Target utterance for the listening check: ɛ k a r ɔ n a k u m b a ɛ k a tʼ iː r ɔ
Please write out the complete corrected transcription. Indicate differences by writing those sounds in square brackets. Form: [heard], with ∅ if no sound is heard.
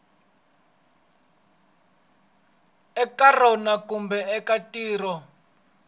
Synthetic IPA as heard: ɛ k a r ɔ n a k u m b [ɛ] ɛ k a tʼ iː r ɔ

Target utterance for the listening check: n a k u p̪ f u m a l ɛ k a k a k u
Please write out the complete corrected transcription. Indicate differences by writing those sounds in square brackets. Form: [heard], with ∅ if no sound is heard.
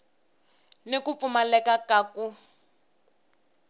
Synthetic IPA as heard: n [e] k u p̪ f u m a l ɛ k a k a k u

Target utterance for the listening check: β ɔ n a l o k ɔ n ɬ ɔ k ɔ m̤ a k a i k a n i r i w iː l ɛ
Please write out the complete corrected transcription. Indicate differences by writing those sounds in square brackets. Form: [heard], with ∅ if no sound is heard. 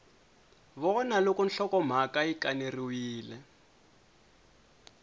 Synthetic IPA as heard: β ɔ n a l o k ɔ n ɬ ɔ k ɔ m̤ a k a i k a n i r i w iː l ɛ

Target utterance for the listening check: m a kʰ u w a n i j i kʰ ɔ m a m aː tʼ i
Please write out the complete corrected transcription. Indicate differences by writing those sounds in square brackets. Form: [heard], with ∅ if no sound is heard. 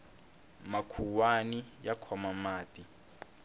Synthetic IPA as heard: m a kʰ u w a n i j [a] kʰ ɔ m a m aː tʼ i

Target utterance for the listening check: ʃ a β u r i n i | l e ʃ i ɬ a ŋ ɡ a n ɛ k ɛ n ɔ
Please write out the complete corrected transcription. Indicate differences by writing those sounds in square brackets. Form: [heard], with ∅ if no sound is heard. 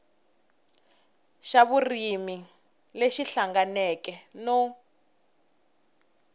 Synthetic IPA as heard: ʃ a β u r i [m] i | l e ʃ i ɬ a ŋ ɡ a n ɛ k ɛ n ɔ

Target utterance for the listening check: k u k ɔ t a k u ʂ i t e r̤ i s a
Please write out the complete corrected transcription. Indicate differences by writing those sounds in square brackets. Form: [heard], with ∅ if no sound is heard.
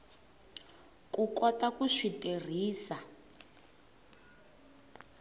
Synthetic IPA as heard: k u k ɔ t a k u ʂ i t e r̤ [iː] s a

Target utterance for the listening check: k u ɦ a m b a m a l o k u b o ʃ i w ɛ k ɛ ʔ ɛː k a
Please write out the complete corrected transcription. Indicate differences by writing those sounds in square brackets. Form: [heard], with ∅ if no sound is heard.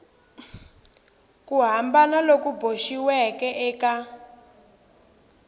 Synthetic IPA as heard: k u ɦ a m b a [n] a l o k u b o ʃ i w ɛ k ɛ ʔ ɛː k a

